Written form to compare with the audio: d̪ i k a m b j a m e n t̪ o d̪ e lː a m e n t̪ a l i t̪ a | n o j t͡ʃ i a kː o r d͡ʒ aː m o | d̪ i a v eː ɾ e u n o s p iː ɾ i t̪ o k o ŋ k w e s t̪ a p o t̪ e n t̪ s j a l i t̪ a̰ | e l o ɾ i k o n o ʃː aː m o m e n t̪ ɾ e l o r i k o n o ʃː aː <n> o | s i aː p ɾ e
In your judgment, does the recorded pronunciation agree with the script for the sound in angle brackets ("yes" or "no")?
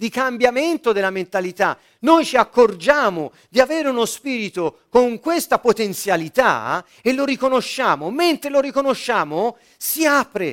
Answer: no